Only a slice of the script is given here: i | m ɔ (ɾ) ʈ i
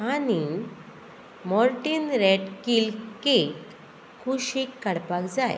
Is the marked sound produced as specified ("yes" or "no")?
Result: yes